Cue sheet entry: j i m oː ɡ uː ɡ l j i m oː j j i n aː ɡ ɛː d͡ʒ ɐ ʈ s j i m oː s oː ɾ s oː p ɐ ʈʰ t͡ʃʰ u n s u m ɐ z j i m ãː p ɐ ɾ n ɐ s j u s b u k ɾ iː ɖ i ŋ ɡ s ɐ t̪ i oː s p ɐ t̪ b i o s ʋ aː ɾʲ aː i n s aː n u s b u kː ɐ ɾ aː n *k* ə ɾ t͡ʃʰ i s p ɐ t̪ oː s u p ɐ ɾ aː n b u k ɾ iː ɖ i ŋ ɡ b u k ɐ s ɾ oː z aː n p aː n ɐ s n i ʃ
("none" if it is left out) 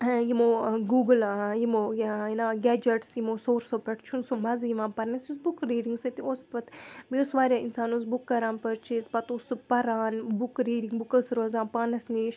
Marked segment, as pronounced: p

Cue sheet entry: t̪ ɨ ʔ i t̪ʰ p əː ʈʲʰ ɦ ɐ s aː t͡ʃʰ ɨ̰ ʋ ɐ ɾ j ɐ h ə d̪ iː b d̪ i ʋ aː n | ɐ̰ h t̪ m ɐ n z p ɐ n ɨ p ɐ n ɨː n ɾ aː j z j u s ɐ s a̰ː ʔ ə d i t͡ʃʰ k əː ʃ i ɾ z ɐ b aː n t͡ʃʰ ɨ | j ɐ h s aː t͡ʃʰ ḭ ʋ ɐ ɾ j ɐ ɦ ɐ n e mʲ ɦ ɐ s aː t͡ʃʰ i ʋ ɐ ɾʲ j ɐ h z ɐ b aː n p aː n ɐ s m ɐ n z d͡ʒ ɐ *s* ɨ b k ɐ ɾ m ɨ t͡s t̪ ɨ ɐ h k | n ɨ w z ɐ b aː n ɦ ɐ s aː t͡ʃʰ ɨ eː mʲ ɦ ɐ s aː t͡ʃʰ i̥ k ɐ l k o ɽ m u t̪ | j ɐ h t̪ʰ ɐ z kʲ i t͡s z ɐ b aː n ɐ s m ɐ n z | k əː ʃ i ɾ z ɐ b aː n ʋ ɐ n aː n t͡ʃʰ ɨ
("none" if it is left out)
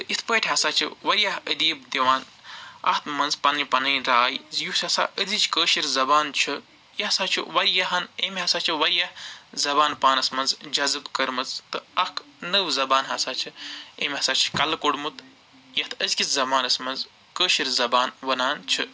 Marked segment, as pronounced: z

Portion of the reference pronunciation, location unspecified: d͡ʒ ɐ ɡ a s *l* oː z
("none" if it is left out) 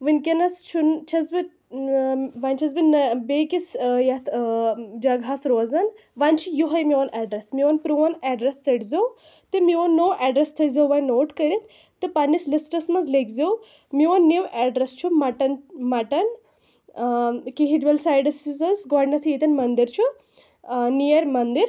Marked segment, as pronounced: ɾ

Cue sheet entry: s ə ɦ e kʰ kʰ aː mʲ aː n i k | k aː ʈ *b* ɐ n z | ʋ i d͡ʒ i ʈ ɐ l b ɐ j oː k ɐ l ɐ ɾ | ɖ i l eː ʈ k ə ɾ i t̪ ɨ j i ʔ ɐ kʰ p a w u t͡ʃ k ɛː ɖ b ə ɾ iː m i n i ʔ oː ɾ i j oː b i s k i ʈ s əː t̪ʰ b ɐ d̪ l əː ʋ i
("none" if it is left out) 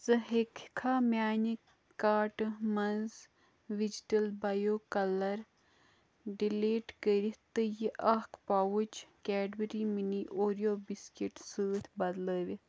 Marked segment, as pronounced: m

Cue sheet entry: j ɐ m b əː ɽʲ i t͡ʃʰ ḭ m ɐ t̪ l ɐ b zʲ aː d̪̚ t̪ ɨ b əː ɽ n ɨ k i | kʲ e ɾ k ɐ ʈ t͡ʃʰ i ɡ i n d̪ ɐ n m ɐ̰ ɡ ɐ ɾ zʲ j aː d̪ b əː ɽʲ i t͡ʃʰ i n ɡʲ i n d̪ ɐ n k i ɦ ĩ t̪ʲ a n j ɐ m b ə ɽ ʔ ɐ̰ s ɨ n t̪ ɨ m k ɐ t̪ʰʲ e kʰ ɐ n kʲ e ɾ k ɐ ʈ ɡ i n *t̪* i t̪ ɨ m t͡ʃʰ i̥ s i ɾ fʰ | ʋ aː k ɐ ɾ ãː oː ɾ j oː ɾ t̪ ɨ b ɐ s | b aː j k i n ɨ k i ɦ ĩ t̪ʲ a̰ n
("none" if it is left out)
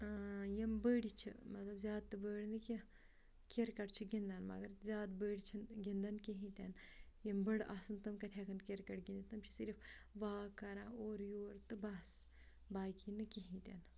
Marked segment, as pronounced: d̪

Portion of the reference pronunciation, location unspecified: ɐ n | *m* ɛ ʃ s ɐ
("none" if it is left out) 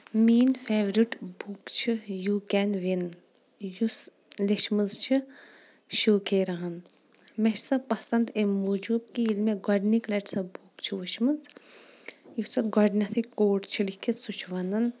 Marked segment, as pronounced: m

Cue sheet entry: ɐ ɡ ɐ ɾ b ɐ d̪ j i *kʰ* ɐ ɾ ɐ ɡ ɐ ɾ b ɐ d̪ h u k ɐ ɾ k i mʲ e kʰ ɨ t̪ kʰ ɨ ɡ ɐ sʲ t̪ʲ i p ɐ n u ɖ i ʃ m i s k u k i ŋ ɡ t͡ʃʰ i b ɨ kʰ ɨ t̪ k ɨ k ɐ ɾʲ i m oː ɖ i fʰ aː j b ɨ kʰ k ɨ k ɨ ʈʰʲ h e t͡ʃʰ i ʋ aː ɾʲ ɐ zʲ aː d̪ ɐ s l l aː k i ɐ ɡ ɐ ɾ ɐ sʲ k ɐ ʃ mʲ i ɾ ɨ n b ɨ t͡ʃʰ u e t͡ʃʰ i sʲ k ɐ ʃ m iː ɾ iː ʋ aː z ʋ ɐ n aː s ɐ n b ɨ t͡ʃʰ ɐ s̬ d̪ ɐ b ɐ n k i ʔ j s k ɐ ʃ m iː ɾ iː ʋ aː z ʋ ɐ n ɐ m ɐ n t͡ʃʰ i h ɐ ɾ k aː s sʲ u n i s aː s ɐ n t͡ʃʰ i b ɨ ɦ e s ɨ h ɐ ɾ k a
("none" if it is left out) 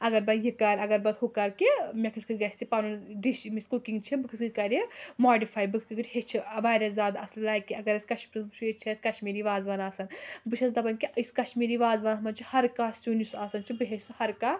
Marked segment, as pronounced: k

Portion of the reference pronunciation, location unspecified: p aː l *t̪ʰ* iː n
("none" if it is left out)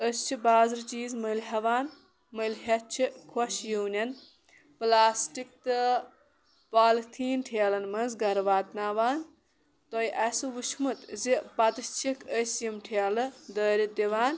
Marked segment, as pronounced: t̪ʰ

